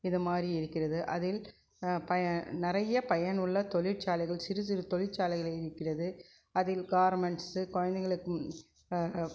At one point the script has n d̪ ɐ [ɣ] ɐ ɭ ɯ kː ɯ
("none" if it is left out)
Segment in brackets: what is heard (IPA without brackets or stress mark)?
ɣ